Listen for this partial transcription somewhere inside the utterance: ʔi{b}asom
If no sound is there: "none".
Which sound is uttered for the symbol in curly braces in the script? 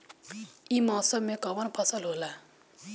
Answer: m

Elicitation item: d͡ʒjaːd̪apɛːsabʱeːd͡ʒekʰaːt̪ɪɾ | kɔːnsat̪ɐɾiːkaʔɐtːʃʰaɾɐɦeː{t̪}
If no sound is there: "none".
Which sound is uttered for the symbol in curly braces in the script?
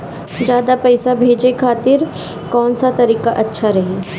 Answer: none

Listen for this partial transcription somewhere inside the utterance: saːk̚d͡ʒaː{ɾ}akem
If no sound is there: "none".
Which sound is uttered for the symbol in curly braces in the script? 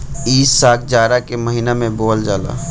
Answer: ɾ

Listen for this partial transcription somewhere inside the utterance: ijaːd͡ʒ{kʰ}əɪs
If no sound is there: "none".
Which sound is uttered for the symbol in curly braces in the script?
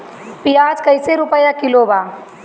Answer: k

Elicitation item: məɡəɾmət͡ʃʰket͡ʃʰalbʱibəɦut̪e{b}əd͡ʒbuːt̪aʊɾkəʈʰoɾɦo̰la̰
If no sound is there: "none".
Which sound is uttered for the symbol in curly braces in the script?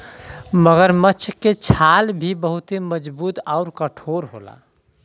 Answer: m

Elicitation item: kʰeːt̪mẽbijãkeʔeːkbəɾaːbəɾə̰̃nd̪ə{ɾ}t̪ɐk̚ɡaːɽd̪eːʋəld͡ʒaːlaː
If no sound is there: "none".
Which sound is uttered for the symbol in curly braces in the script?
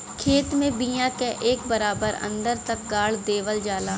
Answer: ɾ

